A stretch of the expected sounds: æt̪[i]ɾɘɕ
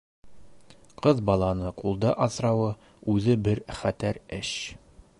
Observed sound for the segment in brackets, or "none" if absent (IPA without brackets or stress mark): æ